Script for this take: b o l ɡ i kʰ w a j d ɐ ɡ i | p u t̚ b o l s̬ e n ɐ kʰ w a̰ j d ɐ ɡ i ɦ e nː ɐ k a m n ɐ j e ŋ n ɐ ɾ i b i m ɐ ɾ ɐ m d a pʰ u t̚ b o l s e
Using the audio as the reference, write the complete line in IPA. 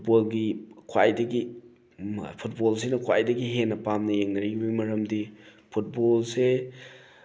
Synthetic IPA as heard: b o l ɡ i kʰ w a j d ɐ ɡ i | pʰ u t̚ b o l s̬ e n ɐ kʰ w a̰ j d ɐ ɡ i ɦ e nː ɐ p a m n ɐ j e ŋ n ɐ ɾ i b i m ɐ ɾ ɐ m d i pʰ u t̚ b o l s e